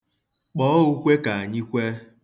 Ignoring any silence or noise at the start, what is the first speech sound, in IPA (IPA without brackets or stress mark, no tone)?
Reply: k͡p